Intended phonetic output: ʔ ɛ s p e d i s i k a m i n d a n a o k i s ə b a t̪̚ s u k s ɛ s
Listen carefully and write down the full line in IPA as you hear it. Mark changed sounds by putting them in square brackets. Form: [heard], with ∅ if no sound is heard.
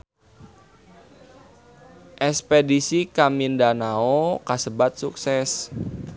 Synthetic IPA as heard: ʔ ɛ s p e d i s i k a m i n d a n a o k [a] s ə b a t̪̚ s u k s ɛ s